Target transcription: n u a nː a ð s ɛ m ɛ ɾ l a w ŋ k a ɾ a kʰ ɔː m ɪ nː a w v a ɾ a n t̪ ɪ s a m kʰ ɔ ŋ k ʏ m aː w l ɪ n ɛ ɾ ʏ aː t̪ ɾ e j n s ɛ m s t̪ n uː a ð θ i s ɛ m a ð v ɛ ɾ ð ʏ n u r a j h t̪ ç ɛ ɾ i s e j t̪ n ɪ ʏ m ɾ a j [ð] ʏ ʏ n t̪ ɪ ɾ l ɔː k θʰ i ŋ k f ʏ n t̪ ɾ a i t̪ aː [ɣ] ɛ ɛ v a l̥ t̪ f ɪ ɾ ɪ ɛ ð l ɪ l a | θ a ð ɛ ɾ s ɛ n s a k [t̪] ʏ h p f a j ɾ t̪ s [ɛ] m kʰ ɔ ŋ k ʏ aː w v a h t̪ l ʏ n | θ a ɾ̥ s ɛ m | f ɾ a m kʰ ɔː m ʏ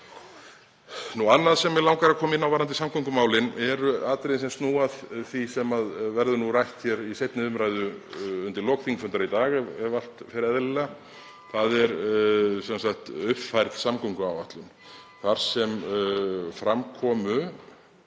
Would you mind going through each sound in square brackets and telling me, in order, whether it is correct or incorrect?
correct, correct, correct, incorrect

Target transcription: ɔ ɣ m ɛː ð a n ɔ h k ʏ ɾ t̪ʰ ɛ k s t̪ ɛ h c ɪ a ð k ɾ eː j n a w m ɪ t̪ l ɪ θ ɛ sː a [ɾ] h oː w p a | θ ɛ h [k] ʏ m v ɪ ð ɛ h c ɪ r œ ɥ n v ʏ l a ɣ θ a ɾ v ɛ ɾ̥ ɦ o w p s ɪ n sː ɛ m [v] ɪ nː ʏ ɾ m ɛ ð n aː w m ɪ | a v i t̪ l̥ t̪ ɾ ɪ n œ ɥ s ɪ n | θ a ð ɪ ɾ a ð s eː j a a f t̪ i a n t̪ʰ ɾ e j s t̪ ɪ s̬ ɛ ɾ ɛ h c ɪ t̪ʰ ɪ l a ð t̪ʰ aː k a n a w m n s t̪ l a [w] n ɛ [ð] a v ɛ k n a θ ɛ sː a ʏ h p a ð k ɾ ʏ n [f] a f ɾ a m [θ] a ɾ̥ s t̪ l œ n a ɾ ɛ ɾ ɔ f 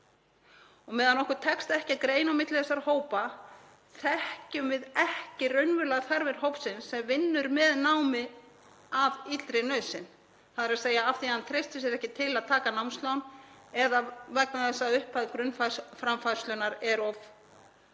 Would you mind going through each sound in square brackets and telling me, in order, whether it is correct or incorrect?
correct, incorrect, correct, correct, correct, correct, incorrect

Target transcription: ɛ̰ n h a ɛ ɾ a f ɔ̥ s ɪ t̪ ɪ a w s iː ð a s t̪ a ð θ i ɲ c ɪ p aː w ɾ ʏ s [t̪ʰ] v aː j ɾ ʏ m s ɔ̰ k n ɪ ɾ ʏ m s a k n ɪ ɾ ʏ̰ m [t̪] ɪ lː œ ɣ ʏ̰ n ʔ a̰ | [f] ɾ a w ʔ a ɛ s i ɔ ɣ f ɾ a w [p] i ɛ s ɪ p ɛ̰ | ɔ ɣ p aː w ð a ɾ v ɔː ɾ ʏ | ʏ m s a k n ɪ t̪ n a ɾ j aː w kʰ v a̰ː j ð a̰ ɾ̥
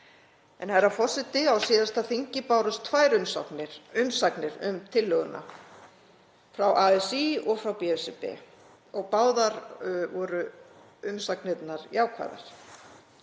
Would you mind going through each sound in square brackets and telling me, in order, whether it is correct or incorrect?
correct, incorrect, correct, correct

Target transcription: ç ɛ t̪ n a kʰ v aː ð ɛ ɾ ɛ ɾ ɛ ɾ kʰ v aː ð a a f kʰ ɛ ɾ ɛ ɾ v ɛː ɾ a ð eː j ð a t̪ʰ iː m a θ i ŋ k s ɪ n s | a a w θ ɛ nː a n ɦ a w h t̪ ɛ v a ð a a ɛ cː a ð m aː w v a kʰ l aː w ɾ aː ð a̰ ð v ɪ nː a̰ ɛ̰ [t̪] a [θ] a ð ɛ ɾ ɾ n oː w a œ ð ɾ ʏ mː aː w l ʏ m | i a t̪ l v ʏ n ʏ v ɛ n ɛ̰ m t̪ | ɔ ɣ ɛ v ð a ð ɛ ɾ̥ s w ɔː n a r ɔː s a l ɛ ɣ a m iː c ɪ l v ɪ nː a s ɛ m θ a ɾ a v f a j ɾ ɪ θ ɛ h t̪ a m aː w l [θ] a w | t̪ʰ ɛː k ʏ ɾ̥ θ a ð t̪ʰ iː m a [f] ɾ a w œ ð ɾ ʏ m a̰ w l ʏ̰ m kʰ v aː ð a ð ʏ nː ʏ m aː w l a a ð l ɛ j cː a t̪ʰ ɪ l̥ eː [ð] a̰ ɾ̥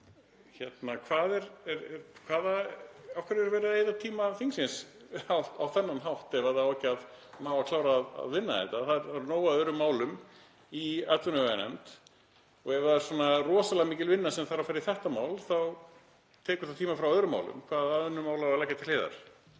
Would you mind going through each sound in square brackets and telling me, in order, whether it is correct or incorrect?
correct, correct, correct, correct, correct

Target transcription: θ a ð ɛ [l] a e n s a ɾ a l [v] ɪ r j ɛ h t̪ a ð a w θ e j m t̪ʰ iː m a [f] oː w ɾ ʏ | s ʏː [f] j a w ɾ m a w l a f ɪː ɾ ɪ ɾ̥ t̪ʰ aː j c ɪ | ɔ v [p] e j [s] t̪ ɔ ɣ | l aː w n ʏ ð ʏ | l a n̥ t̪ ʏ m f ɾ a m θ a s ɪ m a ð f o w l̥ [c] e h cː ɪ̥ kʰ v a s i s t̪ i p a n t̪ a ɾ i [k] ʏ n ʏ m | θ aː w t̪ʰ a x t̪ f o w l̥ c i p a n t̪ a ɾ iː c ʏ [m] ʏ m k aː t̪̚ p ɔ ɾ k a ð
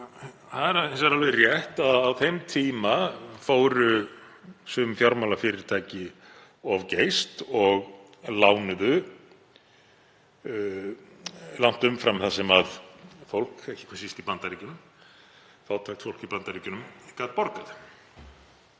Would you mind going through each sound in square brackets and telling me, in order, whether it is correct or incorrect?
incorrect, correct, correct, correct, incorrect, correct, incorrect, incorrect, incorrect

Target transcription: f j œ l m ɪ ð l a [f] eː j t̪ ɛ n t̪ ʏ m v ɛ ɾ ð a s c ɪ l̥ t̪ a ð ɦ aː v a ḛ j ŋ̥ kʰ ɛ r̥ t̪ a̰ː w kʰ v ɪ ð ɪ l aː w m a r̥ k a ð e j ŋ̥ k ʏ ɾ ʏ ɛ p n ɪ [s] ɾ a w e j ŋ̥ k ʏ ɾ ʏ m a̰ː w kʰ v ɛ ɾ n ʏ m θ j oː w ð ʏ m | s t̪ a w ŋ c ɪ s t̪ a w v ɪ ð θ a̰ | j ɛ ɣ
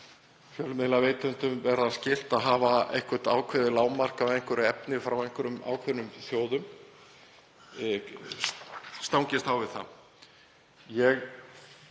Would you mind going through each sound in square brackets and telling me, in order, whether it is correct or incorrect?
incorrect, incorrect

